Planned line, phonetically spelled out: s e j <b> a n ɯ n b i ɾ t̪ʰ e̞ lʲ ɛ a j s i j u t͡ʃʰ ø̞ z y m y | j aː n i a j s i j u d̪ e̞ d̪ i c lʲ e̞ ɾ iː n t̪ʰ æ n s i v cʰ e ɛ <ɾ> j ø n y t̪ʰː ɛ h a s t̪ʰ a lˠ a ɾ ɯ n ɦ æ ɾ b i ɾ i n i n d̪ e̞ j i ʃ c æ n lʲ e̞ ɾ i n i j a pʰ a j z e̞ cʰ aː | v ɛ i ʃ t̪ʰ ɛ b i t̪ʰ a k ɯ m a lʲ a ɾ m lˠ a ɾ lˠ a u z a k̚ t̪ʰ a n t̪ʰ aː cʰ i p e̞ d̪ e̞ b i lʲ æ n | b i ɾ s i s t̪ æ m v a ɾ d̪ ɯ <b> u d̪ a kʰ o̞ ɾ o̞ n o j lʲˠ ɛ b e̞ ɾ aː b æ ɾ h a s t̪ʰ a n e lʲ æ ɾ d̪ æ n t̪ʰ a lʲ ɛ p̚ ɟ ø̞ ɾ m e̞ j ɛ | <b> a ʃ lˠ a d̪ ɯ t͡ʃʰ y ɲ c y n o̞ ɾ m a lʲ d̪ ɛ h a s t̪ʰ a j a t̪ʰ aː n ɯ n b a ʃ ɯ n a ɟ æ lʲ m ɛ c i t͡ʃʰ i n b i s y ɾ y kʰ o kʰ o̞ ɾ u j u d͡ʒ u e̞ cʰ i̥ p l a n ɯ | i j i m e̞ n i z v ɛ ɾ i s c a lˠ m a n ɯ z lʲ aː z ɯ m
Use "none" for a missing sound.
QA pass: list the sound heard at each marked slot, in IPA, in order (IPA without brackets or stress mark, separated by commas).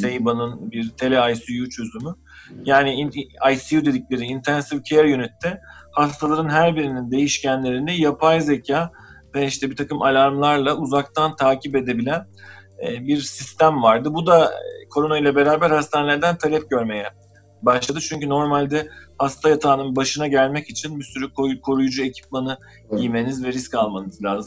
b, ɾ, b, b